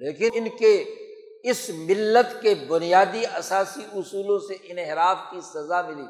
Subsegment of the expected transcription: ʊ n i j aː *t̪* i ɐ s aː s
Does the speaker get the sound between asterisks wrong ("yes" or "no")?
yes